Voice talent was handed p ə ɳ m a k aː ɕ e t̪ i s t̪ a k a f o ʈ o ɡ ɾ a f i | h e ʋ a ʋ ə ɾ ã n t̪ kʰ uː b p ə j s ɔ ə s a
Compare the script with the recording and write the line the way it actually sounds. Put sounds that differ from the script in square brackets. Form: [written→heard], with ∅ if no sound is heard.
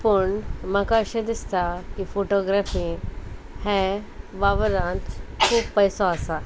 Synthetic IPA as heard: p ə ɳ m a k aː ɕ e [t̪→d̪] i s t̪ a k [a→i] f o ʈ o ɡ ɾ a f i | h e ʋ a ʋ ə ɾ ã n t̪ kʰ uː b p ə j s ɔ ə s a